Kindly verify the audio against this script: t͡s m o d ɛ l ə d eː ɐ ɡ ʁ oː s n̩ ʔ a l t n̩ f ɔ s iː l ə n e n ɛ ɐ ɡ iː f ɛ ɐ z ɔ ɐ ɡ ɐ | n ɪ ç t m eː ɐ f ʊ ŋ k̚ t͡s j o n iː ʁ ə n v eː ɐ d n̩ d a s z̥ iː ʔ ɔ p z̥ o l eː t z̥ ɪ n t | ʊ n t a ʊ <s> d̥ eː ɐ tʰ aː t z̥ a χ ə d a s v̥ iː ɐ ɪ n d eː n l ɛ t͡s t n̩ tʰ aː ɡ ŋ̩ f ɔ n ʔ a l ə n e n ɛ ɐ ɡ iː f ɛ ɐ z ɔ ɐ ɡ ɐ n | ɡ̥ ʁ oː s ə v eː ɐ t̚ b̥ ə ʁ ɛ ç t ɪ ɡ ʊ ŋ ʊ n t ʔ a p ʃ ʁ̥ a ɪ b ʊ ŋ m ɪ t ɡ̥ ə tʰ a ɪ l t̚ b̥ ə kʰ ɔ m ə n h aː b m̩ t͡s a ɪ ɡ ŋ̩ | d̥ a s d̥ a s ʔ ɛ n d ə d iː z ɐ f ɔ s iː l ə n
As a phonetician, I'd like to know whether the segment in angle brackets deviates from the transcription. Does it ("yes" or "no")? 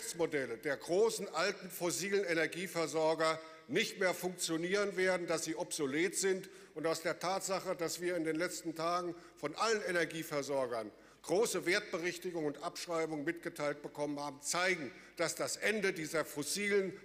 no